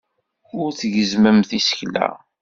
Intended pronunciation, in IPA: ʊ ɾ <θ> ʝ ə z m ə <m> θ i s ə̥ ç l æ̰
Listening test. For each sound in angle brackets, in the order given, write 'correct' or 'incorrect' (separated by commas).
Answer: correct, correct